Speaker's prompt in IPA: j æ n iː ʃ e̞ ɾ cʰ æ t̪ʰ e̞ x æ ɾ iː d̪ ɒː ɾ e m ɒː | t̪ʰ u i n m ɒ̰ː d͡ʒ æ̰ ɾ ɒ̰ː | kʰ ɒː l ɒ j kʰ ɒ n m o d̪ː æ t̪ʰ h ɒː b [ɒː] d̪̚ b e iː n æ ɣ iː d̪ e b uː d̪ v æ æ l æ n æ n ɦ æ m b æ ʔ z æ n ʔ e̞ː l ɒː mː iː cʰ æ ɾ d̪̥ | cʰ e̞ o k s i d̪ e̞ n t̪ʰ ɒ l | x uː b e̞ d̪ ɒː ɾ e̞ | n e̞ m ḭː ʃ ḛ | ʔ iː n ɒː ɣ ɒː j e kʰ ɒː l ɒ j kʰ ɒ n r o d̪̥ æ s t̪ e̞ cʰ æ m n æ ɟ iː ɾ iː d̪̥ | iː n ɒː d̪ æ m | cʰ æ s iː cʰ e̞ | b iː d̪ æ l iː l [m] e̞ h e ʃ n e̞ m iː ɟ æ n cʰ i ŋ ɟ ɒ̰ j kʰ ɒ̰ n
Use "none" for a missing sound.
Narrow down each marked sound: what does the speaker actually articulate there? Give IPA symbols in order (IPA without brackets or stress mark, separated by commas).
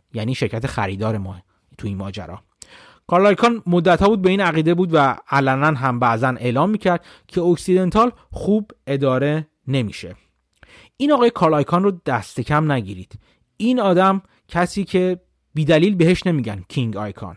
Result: uː, b